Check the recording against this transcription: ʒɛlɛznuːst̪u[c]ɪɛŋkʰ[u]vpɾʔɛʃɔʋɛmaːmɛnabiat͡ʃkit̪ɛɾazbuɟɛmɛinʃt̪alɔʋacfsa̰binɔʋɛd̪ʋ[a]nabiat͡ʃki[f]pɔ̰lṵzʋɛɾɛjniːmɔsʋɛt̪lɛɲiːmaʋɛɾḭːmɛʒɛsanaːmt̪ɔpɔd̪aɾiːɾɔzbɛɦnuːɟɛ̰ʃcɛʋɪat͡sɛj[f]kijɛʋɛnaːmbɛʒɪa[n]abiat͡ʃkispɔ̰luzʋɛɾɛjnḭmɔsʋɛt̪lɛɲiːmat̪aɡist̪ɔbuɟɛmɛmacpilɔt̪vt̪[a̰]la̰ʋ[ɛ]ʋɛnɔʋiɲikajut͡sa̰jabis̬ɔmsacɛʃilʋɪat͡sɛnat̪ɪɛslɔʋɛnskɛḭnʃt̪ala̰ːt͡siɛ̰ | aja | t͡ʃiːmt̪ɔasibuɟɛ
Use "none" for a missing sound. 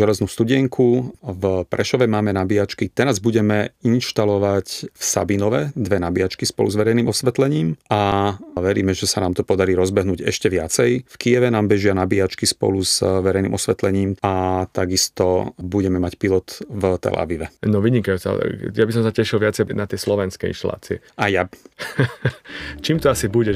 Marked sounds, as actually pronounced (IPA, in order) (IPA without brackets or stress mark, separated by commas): ɟ, u, ɛ, s, f, n, ɛ̰, i